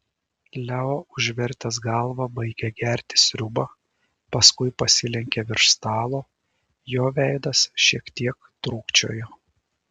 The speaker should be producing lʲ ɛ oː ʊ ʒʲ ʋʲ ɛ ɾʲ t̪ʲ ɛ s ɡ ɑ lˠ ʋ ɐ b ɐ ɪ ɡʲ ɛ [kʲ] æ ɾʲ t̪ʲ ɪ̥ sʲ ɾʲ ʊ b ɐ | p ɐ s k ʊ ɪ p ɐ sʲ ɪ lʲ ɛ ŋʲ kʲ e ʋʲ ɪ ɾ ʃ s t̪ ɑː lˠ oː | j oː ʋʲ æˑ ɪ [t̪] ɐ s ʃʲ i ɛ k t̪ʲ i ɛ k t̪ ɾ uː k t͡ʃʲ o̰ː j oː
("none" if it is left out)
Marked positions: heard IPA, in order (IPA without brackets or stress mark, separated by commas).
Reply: ɡʲ, d̪